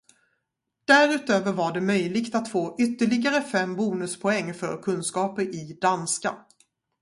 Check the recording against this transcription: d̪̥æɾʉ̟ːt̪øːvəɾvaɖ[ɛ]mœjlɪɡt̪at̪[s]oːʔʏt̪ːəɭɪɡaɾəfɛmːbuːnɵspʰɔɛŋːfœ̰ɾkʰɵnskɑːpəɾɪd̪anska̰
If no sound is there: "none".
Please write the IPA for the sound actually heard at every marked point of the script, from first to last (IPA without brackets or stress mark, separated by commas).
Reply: ɛ, f